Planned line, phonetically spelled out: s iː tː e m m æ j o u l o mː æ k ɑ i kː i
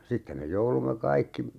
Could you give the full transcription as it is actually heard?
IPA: s i tː e m m e j o u l u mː e k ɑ i kː i

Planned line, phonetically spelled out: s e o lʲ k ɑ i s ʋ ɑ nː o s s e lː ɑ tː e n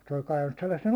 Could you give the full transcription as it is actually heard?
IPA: s e o lʲ k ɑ i ʋ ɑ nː u s s e lː ɑ sː e n

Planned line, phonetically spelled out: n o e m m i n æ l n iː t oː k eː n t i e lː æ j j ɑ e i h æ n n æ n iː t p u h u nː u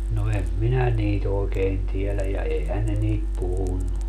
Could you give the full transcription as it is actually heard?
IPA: n o e m m i n æ n iː t oː k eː n t i e l æ j j ɑ e i h æ n n e n iː t p u h u nː u

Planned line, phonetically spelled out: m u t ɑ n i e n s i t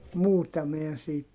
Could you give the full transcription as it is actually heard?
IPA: m uː t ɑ m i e n s iː t

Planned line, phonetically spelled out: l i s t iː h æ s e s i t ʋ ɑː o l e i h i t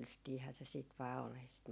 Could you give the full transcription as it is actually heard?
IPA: l y s t iː h æː s e s iː t ʋ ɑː o l e i s i t

